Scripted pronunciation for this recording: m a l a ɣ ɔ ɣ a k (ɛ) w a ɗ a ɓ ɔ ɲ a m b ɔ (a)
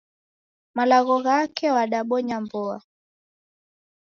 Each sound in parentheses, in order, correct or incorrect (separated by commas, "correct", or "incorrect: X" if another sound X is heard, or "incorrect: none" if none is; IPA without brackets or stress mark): correct, correct